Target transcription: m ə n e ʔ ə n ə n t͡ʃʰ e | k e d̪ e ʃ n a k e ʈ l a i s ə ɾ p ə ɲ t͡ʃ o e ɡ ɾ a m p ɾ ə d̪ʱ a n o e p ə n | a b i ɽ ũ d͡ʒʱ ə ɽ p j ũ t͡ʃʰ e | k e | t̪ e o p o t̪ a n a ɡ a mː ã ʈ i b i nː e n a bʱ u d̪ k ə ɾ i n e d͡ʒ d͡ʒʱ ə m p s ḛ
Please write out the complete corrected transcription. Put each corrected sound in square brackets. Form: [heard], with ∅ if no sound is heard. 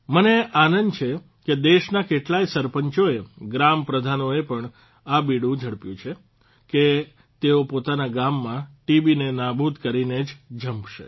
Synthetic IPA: m ə n e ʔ [a] n ə n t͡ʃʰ e | k e d̪ e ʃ n a k e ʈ l a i s ə ɾ p ə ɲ t͡ʃ o e ɡ ɾ a m p ɾ ə d̪ʱ a n o e p ə [ɳ] | a b i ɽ ũ d͡ʒʱ ə ɽ p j ũ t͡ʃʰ e | k e | t̪ e o p o t̪ a n a ɡ a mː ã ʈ i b i [n] e n a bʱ u d̪ k ə ɾ i n e d͡ʒ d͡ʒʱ ə m p [ʃ] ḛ